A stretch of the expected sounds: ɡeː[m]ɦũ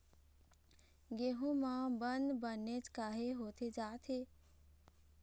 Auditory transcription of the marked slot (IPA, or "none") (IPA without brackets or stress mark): none